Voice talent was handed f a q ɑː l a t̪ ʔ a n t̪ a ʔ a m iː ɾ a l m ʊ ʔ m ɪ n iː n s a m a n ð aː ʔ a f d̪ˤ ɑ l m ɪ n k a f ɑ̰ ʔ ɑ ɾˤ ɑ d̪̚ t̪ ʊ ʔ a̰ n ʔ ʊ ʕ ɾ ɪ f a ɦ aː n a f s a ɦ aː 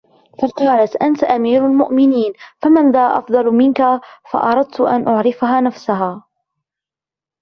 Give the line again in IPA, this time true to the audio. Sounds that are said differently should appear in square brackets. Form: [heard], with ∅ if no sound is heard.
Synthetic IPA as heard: f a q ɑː l a t̪ ʔ a n t̪ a ʔ a m iː ɾ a l m ʊ ʔ m ɪ n iː n [f] a m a n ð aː ʔ [ɑ] f d̪ˤ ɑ l m ɪ n k a f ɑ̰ ʔ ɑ ɾˤ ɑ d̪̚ t̪ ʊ ʔ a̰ n ʔ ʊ ʕ ɾ ɪ f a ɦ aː n a f s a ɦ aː